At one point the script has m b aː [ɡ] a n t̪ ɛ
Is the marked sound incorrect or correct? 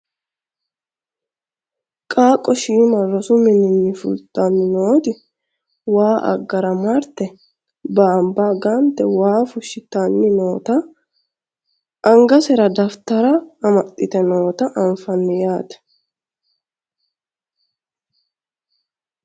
correct